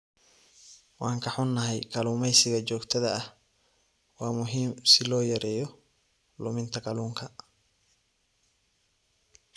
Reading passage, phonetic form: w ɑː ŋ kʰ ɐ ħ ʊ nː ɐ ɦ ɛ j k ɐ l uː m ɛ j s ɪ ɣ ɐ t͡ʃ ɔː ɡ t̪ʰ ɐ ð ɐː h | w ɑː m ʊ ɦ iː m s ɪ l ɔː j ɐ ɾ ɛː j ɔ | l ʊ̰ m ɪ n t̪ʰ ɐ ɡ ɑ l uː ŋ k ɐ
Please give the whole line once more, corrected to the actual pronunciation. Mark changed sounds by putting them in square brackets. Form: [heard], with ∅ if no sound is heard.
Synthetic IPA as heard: w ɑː ŋ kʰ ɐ ħ ʊ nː ɐ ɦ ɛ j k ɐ l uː m ɛ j s ɪ ɣ ɐ t͡ʃ ɔː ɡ t̪ʰ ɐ ð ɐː h | w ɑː m ʊ ɦ iː m s ɪ l ɔː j ɐ ɾ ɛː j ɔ | l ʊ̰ m ɪ n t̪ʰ ɐ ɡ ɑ l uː ŋ [kʰ] ɐ